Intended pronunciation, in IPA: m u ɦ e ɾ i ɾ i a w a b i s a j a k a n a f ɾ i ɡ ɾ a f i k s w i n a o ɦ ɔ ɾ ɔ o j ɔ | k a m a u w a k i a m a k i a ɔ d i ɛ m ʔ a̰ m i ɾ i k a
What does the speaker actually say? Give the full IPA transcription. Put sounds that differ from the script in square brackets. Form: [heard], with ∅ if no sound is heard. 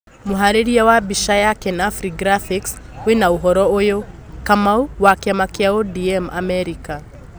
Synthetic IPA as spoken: m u ɦ [a] ɾ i ɾ i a w a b i [ʃ] a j a k [ɛ] n a f ɾ i ɡ ɾ a f i k s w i n a [u] ɦ ɔ ɾ ɔ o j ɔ | k a m a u w a k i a m a k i a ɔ d i ɛ m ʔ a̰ m [ɛ] ɾ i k a